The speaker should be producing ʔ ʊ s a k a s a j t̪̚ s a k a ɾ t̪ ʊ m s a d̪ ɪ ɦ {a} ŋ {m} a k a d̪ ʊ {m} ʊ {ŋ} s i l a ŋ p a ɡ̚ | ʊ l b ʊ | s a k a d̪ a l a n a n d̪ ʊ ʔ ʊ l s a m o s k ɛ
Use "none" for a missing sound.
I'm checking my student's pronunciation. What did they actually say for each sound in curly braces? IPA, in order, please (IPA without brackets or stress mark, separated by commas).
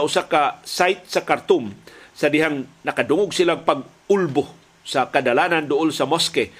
a, n, ŋ, ɡ